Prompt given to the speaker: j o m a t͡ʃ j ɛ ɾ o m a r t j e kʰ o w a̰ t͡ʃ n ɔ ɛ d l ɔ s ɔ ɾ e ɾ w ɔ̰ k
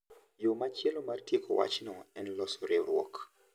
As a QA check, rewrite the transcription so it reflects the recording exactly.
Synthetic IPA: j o m a t͡ʃ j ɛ l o m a r t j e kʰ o w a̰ t͡ʃ n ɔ ɛ n l ɔ s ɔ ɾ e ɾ w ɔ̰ k